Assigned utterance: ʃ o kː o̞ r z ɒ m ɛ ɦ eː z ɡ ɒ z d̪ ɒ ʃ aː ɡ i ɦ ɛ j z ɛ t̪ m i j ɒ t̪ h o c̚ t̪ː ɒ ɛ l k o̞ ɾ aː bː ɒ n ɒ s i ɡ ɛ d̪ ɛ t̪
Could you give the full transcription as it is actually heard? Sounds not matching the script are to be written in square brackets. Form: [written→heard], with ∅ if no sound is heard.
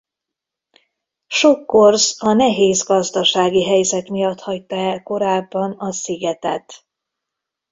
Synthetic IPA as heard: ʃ o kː o̞ r z ɒ [m→n] ɛ ɦ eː z ɡ ɒ z d̪ ɒ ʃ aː ɡ i ɦ ɛ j z ɛ t̪ m i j ɒ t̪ h [o→ɒ] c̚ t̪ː ɒ ɛ l k o̞ ɾ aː bː ɒ n ɒ s i ɡ ɛ [d̪→t̪] ɛ t̪

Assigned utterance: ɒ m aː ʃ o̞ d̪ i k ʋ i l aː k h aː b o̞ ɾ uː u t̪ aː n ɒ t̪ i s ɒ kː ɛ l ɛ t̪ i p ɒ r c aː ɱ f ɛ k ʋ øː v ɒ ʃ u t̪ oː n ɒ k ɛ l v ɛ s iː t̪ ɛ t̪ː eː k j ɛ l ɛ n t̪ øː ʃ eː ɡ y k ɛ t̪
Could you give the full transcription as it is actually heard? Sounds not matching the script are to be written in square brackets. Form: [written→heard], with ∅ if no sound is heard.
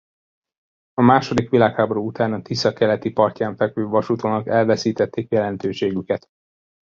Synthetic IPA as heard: ɒ m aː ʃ o̞ d̪ i k ʋ i l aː k h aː b o̞ ɾ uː u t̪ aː n ɒ t̪ i s ɒ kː ɛ l ɛ t̪ i p ɒ r c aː ɱ f ɛ k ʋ øː v ɒ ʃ u t̪ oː n ɒ k ɛ l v ɛ s iː t̪ ɛ t̪ː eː k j ɛ l ɛ n t̪ øː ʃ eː ɡ y k ɛ t̪

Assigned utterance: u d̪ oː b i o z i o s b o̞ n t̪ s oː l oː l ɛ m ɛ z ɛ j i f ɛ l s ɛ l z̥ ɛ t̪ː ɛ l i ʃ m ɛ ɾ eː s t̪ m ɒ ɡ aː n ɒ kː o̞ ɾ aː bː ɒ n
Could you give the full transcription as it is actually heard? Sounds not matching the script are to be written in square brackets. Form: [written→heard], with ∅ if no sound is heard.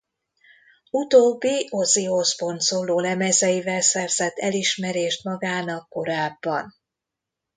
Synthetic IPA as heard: u [d̪→t̪] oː [b→bː] i o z i o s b o̞ n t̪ s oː l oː l ɛ m ɛ z ɛ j i [f→v] ɛ l s ɛ [l→r] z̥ ɛ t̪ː ɛ l i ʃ m ɛ ɾ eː [s→ʃ] t̪ m ɒ ɡ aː n ɒ kː o̞ ɾ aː bː ɒ n

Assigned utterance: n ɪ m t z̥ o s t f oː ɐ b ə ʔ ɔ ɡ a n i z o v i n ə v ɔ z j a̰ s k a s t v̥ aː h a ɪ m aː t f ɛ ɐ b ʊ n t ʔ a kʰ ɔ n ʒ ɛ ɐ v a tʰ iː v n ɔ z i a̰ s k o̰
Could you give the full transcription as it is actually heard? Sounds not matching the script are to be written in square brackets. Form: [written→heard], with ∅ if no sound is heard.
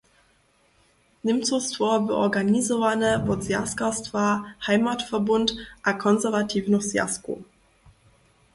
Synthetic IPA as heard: n ɪ m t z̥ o s t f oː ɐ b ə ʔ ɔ ɡ a n i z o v [i→a] n ə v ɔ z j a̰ s k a s t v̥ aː h a ɪ m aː t f ɛ ɐ b ʊ n t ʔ a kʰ ɔ n [ʒ→z] ɛ ɐ v a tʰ iː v n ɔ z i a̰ s k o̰

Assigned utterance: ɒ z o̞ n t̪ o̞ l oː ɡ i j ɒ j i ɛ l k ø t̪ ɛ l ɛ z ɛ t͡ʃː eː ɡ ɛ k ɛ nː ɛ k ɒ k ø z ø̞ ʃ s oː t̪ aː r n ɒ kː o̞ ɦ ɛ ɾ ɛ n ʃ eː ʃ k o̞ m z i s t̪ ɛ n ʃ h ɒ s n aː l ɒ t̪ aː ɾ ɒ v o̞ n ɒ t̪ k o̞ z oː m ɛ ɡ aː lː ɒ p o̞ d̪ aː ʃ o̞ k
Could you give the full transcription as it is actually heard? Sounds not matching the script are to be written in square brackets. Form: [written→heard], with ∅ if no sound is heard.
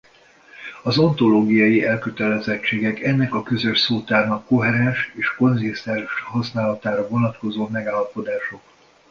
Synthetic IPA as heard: ɒ z o̞ n t̪ o̞ l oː ɡ i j ɒ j i ɛ l k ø t̪ ɛ l ɛ z ɛ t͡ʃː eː ɡ ɛ k ɛ nː ɛ k ɒ k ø z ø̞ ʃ s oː t̪ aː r n ɒ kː o̞ ɦ ɛ ɾ ɛ n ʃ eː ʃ k o̞ [m→n] z i s t̪ ɛ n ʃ h ɒ s n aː l ɒ t̪ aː ɾ ɒ v o̞ n ɒ t̪ k o̞ z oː m ɛ ɡ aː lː ɒ p o̞ d̪ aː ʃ o̞ k

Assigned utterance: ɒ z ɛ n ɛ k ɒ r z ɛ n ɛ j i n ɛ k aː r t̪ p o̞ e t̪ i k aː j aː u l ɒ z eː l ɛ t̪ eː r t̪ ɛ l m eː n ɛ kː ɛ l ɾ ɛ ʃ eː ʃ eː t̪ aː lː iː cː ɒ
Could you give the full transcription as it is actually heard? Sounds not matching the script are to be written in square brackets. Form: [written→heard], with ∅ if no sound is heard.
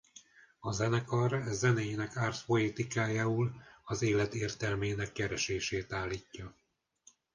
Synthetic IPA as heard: ɒ z ɛ n ɛ k ɒ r z ɛ n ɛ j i n ɛ k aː r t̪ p o̞ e t̪ i k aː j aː u l ɒ z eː l ɛ t̪ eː r t̪ ɛ l m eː n ɛ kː ɛ [l→∅] ɾ ɛ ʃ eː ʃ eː t̪ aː lː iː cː ɒ

